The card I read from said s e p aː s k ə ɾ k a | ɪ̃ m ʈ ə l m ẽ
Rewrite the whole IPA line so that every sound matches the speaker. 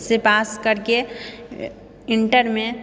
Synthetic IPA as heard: s e p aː s k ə ɾ k e | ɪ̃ ɳ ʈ ə ɾ m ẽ